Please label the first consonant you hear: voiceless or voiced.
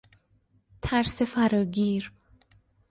voiceless